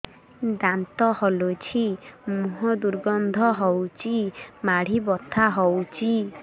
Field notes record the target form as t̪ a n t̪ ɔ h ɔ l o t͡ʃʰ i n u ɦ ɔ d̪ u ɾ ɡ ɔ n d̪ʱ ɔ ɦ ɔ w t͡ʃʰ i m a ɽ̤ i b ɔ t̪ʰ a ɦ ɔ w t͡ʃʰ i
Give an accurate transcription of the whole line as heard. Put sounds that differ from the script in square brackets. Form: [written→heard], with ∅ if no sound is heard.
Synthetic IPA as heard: [t̪→d̪] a n t̪ ɔ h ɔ l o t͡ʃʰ i [n→m] u ɦ ɔ d̪ u ɾ ɡ ɔ n d̪ʱ ɔ ɦ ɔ w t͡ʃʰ i m a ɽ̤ i b ɔ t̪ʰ a ɦ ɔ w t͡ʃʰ i

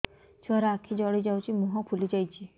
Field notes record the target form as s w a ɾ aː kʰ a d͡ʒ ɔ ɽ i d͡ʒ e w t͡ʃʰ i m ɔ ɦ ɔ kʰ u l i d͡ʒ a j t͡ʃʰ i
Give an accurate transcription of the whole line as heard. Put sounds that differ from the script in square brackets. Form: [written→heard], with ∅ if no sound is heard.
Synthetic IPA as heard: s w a ɾ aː kʰ [a→i] d͡ʒ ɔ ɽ i d͡ʒ [e→a] w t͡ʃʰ i m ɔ ɦ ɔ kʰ u l i d͡ʒ a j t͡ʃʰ i

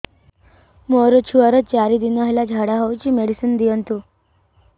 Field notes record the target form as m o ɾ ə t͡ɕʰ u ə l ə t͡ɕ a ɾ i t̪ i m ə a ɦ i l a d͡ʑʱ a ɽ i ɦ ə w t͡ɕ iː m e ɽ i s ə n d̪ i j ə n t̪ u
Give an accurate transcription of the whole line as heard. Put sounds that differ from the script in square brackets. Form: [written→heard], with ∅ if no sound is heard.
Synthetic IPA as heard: m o ɾ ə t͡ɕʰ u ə [l→ɾ] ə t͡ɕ a ɾ i [t̪→d̪] i [m→n] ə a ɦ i l a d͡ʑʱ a ɽ [i→a] ɦ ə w t͡ɕ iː m e ɽ i s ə n d̪ i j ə n t̪ u

